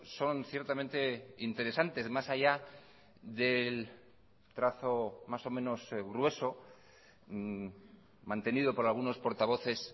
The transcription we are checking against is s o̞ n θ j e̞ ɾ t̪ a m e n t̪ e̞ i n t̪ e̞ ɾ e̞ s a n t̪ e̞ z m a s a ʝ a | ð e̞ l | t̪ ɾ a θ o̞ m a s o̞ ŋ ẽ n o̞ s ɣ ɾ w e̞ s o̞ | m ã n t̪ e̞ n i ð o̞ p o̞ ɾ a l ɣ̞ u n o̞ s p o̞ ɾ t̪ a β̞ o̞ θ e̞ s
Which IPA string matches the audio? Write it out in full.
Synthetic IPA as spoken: s o̞ n θ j e̞ ɾ t̪ a m e n t̪ e̞ i n t̪ e̞ ɾ e̞ s a n t̪ e̞ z m a s a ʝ a | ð e̞ l | t̪ ɾ a θ o̞ m a s o̞ m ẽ n o̞ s ɣ ɾ w e̞ s o̞ | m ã n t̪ e̞ n i ð o̞ p o̞ ɾ a l ɣ̞ u n o̞ s p o̞ ɾ t̪ a β̞ o̞ θ e̞ s